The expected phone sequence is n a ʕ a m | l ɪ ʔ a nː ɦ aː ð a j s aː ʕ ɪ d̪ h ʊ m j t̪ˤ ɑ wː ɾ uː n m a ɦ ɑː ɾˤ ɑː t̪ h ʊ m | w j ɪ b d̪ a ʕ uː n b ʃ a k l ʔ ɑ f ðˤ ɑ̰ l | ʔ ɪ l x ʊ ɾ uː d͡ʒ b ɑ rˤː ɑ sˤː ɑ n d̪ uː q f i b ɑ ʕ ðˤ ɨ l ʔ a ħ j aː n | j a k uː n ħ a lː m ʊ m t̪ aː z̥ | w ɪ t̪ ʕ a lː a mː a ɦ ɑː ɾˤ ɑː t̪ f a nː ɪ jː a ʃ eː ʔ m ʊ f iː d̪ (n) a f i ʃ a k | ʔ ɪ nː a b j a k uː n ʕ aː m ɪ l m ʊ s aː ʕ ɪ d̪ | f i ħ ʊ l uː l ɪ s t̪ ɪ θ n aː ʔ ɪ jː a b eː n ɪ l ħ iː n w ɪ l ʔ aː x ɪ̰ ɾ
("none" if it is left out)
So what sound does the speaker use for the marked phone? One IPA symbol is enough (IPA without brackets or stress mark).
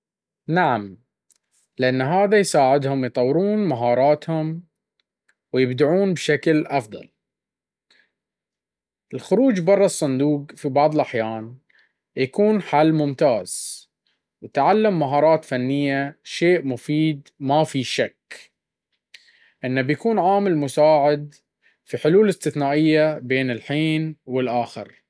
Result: m